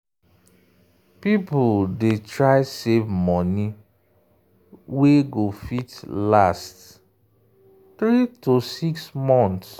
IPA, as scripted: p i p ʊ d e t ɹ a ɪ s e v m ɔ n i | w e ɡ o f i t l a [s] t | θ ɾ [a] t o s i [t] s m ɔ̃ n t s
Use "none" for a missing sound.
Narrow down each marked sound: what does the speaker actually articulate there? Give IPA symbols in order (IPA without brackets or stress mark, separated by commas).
s, i, k